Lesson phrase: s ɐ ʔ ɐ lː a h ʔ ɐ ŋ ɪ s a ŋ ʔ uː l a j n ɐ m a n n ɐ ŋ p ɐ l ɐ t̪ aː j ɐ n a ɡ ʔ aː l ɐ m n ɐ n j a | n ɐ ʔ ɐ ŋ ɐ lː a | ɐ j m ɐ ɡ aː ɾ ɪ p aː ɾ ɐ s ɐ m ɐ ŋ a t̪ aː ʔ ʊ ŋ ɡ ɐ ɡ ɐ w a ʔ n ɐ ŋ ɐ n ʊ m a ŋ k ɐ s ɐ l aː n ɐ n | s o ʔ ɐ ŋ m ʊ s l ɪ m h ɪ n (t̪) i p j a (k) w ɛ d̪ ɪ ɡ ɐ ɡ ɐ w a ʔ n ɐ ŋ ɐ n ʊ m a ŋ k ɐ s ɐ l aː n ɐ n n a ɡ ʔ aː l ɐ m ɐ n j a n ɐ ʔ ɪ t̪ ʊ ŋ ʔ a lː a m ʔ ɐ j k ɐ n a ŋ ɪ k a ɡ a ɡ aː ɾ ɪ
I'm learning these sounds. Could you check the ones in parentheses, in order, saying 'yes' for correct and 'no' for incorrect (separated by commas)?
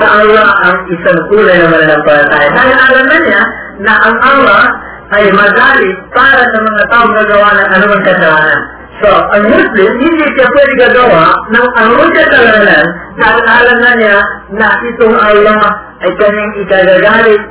no, no